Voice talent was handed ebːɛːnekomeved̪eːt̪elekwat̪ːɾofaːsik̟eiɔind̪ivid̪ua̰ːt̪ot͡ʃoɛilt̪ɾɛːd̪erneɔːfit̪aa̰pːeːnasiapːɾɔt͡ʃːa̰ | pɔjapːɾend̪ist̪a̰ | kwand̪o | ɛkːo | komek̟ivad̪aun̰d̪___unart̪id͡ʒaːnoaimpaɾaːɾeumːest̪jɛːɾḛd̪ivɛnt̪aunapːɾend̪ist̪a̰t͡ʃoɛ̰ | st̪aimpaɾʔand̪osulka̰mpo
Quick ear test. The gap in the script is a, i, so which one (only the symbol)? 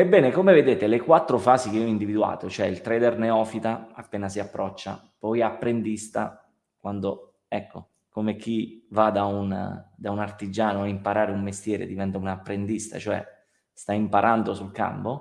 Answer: a